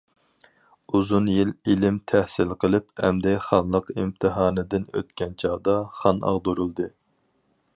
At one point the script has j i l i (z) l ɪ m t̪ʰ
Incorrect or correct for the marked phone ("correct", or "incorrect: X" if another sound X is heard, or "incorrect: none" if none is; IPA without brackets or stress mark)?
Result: incorrect: none